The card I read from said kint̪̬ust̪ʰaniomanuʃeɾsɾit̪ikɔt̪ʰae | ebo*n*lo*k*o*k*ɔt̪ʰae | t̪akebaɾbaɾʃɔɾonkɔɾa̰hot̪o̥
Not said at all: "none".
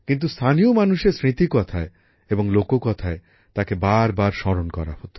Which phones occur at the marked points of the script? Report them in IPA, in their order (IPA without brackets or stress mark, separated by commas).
ŋ, k, k